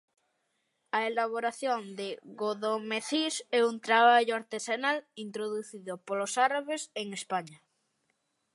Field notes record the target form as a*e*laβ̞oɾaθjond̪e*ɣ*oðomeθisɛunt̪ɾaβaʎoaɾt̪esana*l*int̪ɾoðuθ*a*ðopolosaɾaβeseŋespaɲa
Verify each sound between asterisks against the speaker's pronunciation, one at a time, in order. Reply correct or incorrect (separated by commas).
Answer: correct, correct, correct, incorrect